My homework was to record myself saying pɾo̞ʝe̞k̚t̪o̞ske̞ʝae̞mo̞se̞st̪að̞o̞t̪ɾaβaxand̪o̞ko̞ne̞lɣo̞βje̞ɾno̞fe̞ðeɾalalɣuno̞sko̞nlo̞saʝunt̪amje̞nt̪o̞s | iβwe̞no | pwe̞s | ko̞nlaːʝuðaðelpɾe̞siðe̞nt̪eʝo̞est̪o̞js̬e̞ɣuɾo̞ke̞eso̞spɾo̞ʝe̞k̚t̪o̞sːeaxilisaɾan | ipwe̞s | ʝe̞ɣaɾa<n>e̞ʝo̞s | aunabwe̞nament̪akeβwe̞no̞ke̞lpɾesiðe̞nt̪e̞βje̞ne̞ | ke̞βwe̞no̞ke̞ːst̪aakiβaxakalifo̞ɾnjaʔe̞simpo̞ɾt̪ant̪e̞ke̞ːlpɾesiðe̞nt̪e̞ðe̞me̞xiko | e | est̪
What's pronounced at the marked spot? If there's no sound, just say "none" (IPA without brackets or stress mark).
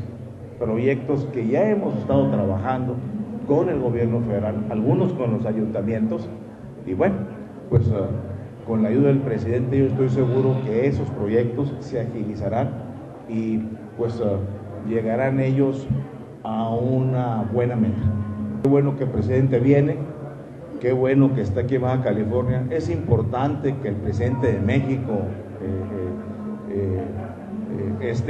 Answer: n